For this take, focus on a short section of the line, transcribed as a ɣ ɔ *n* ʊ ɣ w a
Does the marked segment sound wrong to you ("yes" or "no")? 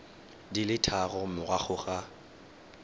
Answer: yes